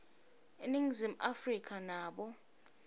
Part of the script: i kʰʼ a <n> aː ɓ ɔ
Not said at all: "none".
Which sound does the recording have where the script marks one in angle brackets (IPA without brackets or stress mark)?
n